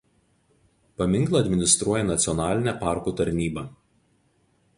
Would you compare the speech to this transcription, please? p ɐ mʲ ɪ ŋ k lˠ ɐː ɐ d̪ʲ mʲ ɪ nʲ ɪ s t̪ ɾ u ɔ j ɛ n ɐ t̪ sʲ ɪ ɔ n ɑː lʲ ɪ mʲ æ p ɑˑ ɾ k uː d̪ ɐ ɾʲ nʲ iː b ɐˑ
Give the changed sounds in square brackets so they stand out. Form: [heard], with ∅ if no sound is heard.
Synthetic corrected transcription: p ɐ mʲ ɪ ŋ k lˠ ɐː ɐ d̪ʲ mʲ ɪ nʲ ɪ s t̪ ɾ u ɔ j ɛ n ɐ t̪ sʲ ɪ ɔ n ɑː lʲ ɪ [nʲ] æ p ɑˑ ɾ k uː [t̪] ɐ ɾʲ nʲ iː b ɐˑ